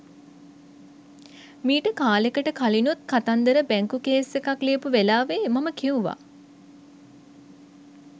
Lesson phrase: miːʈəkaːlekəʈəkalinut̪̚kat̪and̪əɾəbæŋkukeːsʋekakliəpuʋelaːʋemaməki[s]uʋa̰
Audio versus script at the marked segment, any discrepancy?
yes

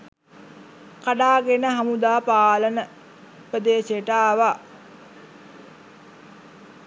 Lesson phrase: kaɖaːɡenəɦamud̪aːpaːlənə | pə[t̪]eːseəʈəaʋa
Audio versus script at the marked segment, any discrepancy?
yes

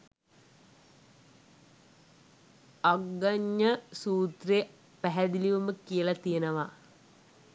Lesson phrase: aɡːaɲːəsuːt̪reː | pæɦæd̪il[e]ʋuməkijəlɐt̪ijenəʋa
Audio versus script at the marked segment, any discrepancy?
yes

